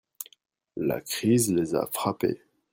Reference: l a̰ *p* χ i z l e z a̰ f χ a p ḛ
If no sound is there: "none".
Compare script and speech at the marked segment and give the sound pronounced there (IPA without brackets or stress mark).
k